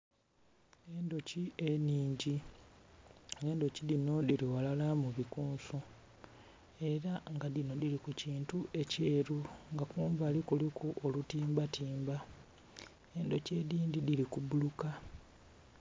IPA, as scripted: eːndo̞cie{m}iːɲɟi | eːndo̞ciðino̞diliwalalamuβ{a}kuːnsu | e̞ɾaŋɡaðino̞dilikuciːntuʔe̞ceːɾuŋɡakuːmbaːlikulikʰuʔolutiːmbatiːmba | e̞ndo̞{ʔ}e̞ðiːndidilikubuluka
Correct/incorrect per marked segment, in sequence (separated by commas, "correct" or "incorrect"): incorrect, incorrect, incorrect